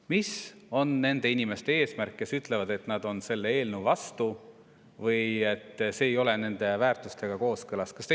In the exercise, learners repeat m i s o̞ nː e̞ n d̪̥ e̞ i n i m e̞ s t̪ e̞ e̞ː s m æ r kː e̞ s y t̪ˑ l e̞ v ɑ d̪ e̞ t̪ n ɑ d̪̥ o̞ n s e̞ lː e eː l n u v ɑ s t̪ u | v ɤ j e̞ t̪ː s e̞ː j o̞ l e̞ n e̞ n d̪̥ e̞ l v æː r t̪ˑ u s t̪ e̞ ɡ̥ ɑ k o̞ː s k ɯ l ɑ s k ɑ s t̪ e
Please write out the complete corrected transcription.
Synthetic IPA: m i s o̞ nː e̞ n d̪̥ e̞ i n i m e̞ s t̪ e̞ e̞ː s m æ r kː e̞ s y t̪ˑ l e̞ v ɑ d̪ e̞ t̪ n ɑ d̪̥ o̞ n s e̞ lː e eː l n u v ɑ s t̪ u | v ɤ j e̞ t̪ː s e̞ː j o̞ l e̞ n e̞ n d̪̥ e̞ v æː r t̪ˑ u s t̪ e̞ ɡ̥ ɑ k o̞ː s k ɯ l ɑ s k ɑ s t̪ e